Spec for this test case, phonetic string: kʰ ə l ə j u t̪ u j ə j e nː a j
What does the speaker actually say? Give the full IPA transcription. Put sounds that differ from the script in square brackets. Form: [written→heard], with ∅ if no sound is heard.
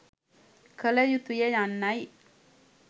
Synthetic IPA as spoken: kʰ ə l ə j u t̪ u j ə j [e→a] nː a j